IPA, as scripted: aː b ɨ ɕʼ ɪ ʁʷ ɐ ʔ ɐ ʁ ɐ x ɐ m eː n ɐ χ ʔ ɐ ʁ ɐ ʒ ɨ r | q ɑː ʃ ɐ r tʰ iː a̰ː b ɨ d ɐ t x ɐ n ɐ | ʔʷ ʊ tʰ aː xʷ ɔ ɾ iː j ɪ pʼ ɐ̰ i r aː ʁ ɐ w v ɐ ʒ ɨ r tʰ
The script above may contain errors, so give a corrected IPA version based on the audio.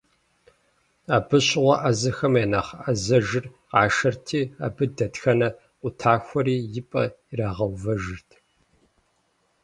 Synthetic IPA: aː b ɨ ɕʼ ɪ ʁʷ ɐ ʔ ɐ z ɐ x ɐ m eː n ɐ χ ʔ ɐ z ɐ ʒ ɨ r | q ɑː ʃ ɐ r tʰ iː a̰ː b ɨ d ɐ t x ɐ n ɐ | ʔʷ ʊ tʰ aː xʷ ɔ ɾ iː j ɪ pʼ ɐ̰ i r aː ʁ ɐ w v ɐ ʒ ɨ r tʰ